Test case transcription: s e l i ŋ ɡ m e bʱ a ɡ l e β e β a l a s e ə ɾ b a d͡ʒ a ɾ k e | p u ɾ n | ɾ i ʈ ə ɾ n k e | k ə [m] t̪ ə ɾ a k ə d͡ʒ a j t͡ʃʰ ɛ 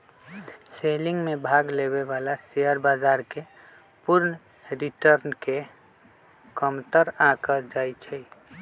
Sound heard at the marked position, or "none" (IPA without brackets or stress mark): m